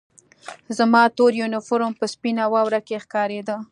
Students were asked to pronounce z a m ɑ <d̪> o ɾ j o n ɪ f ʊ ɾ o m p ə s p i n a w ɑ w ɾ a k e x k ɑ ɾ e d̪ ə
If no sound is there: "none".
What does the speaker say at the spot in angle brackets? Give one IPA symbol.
t̪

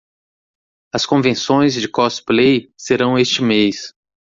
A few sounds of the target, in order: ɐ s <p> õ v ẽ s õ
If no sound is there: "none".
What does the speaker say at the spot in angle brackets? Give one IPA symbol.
k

